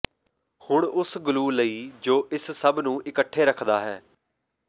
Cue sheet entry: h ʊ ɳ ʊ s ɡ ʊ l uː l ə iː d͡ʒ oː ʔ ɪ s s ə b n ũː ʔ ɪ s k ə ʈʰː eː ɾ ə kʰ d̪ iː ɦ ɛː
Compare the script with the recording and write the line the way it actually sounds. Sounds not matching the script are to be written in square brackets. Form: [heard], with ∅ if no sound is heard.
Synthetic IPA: h ʊ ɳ ʊ s ɡ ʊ l uː l ə iː d͡ʒ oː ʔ ɪ s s ə b n ũː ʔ ɪ [∅] k ə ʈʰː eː ɾ ə kʰ d̪ [aː] ɦ ɛː